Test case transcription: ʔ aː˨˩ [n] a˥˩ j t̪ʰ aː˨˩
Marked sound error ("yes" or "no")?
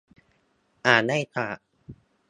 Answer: no